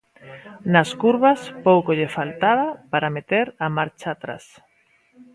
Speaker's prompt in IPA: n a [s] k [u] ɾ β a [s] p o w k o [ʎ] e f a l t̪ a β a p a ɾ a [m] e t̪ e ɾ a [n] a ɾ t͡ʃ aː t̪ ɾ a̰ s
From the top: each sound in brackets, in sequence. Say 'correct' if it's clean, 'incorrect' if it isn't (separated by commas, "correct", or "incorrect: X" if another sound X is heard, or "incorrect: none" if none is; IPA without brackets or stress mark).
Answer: correct, correct, correct, correct, correct, incorrect: m